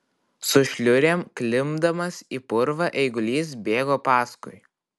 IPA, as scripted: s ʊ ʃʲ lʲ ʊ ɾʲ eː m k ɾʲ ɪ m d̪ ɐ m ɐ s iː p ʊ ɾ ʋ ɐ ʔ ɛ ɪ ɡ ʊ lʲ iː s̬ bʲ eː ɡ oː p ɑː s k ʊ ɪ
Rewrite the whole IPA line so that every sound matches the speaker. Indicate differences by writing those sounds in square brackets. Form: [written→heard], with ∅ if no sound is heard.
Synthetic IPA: s ʊ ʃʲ lʲ ʊ ɾʲ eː m k [ɾʲ→lʲ] ɪ m d̪ ɐ m ɐ s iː p ʊ ɾ ʋ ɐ ʔ ɛ ɪ ɡ ʊ lʲ iː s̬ bʲ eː ɡ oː p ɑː s k ʊ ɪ